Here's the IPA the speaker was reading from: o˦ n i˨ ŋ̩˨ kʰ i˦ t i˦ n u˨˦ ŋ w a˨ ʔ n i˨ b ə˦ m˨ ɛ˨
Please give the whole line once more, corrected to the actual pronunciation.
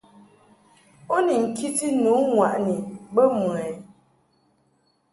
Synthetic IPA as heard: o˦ n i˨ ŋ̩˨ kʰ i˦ t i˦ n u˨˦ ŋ w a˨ ʔ n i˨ b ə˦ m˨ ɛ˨